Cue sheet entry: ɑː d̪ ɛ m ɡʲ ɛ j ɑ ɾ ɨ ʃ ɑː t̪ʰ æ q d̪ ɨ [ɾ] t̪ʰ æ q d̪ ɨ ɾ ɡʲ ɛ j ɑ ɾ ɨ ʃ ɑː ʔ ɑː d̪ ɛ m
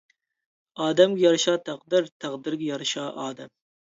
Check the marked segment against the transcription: correct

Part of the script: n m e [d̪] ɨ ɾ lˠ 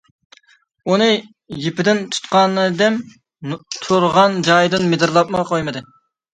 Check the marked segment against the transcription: correct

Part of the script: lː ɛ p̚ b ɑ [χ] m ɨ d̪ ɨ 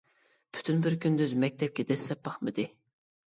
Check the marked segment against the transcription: correct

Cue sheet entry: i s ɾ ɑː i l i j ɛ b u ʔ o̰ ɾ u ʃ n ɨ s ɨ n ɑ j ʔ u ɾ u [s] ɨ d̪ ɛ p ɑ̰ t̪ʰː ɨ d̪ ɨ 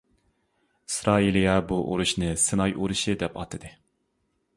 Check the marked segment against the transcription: incorrect: ʃ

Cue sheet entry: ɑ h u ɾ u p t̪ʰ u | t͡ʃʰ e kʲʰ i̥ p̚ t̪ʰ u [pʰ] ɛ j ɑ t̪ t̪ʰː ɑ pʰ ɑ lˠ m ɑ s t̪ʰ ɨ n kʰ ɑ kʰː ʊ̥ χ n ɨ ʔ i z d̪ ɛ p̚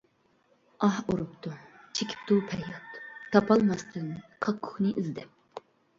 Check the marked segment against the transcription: correct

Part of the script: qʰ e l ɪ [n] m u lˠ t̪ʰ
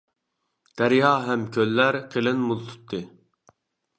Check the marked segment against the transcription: correct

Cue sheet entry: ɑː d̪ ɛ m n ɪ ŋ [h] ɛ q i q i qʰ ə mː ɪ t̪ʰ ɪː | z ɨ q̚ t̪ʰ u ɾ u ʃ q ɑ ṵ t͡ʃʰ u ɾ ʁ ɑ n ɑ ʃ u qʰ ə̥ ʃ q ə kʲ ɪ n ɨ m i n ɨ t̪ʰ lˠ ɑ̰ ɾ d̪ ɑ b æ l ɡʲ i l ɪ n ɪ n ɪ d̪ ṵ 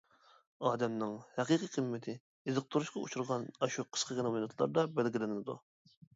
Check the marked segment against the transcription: correct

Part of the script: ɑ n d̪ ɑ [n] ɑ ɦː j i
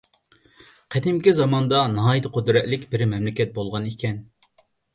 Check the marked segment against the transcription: correct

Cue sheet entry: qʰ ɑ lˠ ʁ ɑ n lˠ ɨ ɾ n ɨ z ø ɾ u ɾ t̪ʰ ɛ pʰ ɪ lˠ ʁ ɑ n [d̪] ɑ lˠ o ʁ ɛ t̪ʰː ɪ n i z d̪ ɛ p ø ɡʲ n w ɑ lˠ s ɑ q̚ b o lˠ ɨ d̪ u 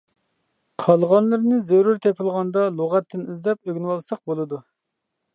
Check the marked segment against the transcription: correct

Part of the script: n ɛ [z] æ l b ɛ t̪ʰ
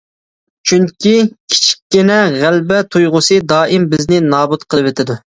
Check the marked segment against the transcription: incorrect: ʁ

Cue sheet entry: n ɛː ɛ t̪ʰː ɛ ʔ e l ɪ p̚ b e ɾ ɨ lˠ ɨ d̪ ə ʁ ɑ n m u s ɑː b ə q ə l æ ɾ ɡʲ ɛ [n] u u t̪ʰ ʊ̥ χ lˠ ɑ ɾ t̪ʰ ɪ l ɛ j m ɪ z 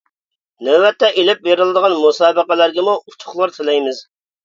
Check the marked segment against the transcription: incorrect: m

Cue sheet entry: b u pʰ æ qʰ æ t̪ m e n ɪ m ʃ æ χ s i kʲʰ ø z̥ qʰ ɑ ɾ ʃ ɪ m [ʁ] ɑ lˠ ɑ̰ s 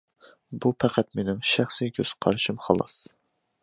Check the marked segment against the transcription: incorrect: χ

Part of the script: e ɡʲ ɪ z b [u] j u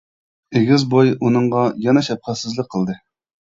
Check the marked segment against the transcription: incorrect: o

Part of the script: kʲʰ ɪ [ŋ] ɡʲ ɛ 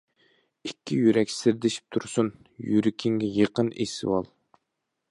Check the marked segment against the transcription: correct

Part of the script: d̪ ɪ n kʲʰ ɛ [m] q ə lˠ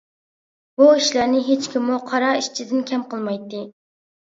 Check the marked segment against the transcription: correct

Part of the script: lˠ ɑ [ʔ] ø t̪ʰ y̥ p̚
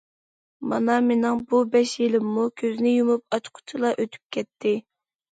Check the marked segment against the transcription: correct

